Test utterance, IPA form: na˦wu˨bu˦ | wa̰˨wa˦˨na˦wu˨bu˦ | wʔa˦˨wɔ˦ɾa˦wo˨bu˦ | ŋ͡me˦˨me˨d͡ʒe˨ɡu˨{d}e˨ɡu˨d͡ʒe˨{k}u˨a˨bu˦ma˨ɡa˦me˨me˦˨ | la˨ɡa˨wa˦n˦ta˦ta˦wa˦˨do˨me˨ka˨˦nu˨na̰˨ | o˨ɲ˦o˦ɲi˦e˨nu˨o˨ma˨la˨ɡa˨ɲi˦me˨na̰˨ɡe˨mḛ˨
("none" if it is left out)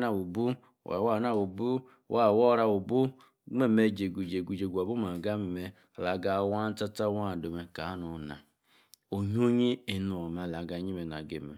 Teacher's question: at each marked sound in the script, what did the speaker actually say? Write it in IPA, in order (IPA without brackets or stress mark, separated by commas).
d͡ʒ, ɡ